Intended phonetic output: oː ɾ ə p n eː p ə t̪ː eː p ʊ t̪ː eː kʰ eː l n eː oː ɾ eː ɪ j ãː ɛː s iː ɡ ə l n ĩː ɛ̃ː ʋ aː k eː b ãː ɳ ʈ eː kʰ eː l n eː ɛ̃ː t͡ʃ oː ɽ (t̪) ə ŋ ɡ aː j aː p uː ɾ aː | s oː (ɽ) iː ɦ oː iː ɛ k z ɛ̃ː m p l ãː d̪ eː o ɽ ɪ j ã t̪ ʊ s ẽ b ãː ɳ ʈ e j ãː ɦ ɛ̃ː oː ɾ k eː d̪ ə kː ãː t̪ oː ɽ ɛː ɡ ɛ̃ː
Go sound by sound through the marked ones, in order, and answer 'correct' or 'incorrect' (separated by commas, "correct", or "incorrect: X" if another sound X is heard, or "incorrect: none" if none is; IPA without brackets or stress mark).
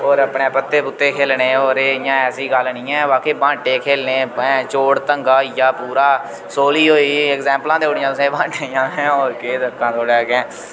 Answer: correct, incorrect: l